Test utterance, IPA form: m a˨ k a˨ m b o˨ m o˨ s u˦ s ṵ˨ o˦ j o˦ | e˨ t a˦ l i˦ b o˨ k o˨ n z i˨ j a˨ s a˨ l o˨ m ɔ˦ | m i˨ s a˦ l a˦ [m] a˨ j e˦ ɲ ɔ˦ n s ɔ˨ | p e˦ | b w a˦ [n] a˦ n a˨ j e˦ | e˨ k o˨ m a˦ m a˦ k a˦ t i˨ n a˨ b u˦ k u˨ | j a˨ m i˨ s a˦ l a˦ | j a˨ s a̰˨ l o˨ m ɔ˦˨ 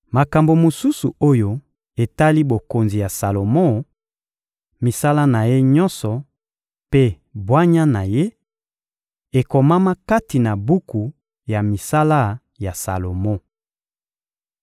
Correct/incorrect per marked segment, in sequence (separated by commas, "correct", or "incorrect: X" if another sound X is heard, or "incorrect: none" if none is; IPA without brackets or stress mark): incorrect: n, incorrect: ɲ